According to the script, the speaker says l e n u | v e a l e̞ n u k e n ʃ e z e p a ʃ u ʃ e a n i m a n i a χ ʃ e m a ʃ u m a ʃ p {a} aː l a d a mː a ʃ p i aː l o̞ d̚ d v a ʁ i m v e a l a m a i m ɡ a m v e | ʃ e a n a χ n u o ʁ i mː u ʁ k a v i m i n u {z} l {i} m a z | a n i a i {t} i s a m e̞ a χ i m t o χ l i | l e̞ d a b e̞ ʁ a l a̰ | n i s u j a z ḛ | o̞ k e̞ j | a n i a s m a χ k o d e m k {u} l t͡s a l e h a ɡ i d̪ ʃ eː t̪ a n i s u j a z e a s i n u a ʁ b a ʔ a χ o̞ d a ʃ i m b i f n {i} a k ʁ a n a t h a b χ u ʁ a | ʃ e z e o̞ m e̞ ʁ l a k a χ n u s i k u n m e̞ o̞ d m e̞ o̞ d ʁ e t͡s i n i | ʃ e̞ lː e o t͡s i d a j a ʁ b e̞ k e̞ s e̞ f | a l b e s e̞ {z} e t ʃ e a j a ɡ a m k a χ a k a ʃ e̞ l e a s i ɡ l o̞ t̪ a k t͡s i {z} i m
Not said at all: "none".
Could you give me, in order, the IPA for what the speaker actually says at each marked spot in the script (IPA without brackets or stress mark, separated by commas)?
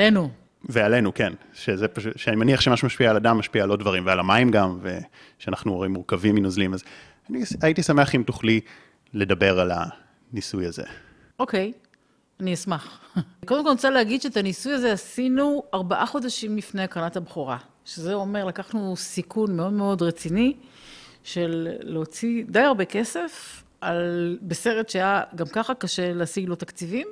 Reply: i, z, i, t, o, e, ʁ, v